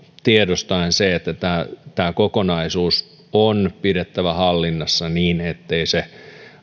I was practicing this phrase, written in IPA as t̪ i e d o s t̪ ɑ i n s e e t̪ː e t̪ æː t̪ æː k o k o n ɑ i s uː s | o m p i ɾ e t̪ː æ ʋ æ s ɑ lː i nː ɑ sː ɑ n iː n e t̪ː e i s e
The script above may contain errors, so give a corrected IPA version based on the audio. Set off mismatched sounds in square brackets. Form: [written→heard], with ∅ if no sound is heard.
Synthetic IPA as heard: t̪ i e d o s t̪ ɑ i n s e e t̪ː [e→æ] t̪ æː t̪ æː k o k o n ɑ i s uː s | o [m→n] p i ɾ e t̪ː æ ʋ æ [s→h] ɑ lː i nː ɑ sː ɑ n iː n e t̪ː e i s e